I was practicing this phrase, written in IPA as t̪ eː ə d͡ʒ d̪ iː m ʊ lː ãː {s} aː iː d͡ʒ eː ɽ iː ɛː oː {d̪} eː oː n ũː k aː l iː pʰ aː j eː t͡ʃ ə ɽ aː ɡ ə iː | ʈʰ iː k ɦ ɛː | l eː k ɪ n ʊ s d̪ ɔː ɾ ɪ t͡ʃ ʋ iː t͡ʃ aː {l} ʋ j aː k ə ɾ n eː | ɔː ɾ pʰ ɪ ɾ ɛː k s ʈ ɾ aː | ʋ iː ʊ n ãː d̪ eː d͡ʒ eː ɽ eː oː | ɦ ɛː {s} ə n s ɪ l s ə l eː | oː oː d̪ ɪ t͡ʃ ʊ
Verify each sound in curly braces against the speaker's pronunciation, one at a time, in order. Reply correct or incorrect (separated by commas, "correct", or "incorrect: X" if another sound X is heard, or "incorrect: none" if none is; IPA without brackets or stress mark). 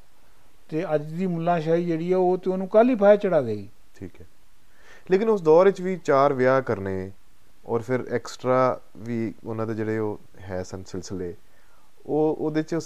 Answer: incorrect: ʃ, incorrect: t̪, incorrect: ɾ, correct